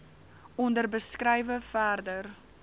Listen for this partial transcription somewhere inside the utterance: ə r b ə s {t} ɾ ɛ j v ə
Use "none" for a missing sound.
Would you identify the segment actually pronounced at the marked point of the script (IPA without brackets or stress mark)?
k